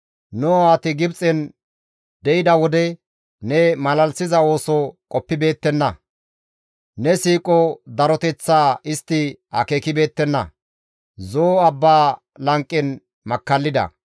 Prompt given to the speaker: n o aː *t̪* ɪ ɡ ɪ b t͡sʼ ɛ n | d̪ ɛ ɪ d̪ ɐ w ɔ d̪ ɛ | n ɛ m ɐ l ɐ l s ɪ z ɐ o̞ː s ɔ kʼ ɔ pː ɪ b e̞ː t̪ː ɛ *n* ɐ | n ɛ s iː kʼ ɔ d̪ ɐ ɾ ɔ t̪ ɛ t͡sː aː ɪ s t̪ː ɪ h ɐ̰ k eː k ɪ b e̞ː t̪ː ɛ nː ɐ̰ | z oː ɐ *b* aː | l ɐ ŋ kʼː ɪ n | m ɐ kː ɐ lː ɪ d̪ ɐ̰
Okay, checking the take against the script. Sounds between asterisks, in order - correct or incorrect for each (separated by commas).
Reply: correct, incorrect, incorrect